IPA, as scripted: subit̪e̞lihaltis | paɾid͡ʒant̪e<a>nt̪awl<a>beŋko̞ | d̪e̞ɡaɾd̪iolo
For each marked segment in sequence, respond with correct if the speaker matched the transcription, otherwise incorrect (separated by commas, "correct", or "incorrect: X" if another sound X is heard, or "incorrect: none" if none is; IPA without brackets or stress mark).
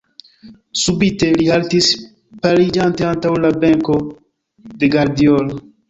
correct, correct